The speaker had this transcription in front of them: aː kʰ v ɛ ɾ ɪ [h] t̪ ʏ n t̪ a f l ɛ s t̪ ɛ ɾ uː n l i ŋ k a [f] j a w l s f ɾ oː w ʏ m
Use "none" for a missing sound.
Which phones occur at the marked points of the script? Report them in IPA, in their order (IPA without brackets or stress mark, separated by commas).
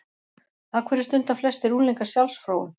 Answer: s, s